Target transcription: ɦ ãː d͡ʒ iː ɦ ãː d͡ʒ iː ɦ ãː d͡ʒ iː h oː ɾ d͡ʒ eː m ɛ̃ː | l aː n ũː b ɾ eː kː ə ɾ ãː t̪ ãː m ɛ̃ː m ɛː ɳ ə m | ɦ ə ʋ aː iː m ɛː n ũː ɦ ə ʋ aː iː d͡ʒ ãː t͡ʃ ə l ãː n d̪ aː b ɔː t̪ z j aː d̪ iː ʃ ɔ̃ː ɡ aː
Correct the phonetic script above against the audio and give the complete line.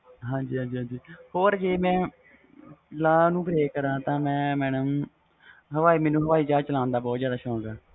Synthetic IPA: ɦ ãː d͡ʒ iː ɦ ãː d͡ʒ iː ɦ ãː d͡ʒ iː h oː ɾ d͡ʒ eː m ɛ̃ː | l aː n ũː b ɾ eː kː ə ɾ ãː t̪ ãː m ɛ̃ː m ɛː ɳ ə m | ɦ ə ʋ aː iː m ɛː n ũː ɦ ə ʋ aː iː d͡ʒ aː t͡ʃ ə l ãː n d̪ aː b ɔː t̪ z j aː d̪ aː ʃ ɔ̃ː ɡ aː